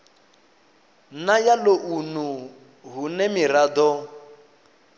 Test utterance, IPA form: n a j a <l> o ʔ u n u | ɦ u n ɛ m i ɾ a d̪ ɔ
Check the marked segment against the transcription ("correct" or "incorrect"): correct